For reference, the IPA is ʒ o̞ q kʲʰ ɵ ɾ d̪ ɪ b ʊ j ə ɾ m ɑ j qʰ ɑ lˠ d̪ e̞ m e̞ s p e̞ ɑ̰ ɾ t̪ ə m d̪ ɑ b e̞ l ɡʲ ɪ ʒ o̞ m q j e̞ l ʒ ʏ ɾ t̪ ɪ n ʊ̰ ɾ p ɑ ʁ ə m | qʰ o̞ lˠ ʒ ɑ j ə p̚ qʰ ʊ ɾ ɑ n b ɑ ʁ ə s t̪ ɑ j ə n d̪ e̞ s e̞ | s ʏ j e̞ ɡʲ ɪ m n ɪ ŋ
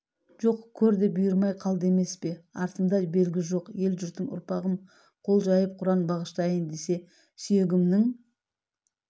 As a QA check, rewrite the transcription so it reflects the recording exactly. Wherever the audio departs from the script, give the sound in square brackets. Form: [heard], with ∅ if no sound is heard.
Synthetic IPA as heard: ʒ o̞ q kʲʰ ɵ ɾ d̪ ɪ b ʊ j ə ɾ m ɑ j qʰ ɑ lˠ d̪ e̞ m e̞ s p e̞ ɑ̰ ɾ t̪ ə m d̪ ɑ b e̞ l ɡʲ ɪ ʒ o̞ [∅] q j e̞ l ʒ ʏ ɾ t̪ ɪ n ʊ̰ ɾ p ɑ ʁ ə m | qʰ o̞ lˠ ʒ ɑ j ə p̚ qʰ ʊ ɾ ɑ n b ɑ ʁ ə [ʃ] t̪ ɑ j ə n d̪ e̞ s e̞ | s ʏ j e̞ ɡʲ ɪ m n ɪ ŋ